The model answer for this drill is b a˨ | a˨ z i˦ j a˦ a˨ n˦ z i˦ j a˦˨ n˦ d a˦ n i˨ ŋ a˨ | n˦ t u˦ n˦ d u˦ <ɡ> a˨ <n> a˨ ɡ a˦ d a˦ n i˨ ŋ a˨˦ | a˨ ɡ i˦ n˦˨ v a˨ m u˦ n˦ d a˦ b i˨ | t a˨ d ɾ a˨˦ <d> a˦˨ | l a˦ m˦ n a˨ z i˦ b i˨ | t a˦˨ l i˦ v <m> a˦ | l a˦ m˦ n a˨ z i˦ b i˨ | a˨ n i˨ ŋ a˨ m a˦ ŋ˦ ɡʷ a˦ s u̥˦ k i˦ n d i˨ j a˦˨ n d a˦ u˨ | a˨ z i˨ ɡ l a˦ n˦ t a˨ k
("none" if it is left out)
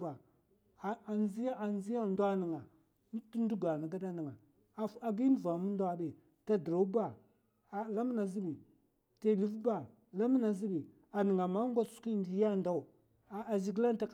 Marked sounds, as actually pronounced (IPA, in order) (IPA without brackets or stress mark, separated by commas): ɡ, n, b, b